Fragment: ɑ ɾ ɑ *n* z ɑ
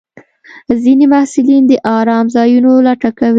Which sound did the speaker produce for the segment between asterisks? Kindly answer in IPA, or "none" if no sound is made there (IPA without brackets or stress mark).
m